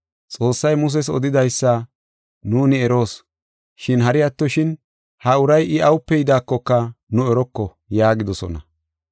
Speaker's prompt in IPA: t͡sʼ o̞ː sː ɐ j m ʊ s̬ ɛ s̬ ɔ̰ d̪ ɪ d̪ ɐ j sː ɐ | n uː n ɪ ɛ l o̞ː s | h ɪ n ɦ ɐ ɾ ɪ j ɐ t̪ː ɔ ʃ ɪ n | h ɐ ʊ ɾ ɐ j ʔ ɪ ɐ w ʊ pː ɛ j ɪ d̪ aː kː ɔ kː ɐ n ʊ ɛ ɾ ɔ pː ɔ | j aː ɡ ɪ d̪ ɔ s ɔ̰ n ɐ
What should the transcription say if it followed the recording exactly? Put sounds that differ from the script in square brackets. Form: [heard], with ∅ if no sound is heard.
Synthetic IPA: t͡sʼ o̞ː sː ɐ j m ʊ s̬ ɛ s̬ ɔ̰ d̪ ɪ d̪ ɐ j sː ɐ | n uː n ɪ ɛ [ɾ] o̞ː s | [ʃ] ɪ n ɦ ɐ ɾ ɪ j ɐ t̪ː ɔ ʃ ɪ n | h ɐ ʊ ɾ ɐ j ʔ ɪ ɐ w ʊ pː ɛ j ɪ d̪ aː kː ɔ kː ɐ n ʊ ɛ ɾ ɔ [kː] ɔ | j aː ɡ ɪ d̪ ɔ s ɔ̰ n ɐ

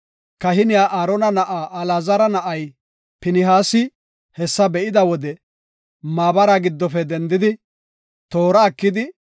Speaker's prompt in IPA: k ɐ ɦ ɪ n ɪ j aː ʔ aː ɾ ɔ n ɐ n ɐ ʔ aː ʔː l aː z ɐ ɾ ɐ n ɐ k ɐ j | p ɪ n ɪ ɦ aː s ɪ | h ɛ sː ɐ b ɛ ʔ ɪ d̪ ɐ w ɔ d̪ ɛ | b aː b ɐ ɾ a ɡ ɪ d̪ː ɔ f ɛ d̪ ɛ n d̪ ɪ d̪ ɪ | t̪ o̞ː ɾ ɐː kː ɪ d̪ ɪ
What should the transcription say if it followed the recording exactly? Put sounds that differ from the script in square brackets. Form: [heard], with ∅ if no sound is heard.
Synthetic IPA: k ɐ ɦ ɪ n ɪ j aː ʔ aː ɾ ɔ n ɐ n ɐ ʔ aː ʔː l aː z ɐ ɾ ɐ n ɐ [ʔ] ɐ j | p ɪ n ɪ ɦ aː s ɪ | h ɛ sː ɐ b ɛ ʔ ɪ d̪ ɐ w ɔ d̪ ɛ | [m] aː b ɐ ɾ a ɡ ɪ d̪ː ɔ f ɛ d̪ ɛ n d̪ ɪ d̪ ɪ | t̪ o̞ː ɾ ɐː kː ɪ d̪ ɪ

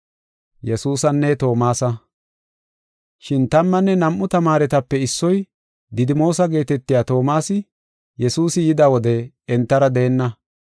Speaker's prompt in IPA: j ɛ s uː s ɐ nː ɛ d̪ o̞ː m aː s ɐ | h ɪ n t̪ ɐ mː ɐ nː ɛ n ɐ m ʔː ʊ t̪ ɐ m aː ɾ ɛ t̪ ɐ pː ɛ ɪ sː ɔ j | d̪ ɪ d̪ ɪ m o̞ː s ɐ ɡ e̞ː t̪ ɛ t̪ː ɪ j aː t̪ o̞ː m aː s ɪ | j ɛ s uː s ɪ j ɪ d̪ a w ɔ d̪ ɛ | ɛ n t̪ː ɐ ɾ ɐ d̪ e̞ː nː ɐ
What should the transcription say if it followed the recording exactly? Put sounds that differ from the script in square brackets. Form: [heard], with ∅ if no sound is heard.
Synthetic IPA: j ɛ s uː s ɐ nː ɛ [t̪] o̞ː m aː s ɐ | [ʃ] ɪ n t̪ ɐ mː ɐ nː ɛ n ɐ m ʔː ʊ t̪ ɐ m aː ɾ ɛ t̪ ɐ pː ɛ ɪ sː ɔ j | d̪ ɪ d̪ ɪ m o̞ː s ɐ ɡ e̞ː t̪ ɛ t̪ː ɪ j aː t̪ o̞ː m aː s ɪ | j ɛ s uː s ɪ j ɪ d̪ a w ɔ d̪ ɛ | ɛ n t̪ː ɐ ɾ ɐ d̪ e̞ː nː ɐ

